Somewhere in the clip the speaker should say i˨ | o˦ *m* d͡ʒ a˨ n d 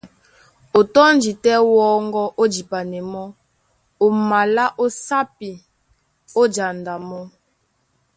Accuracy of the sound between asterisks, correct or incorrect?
incorrect